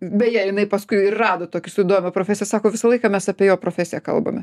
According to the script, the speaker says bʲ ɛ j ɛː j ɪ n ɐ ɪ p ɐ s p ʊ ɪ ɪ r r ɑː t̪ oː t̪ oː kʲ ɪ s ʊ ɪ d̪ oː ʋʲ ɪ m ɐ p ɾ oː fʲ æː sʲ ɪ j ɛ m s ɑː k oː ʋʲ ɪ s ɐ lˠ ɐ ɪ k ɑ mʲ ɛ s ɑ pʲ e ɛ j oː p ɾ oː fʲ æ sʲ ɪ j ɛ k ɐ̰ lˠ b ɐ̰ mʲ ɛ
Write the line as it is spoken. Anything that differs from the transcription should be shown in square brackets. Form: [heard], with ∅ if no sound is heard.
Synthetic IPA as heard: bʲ ɛ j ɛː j ɪ n ɐ ɪ p ɐ s [k] ʊ ɪ ɪ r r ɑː [d̪] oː t̪ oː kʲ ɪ s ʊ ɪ d̪ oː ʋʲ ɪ m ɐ p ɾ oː fʲ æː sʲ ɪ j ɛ [∅] s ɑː k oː ʋʲ ɪ s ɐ lˠ ɐ ɪ k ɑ mʲ ɛ s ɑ pʲ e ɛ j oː p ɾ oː fʲ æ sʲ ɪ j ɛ k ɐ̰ lˠ b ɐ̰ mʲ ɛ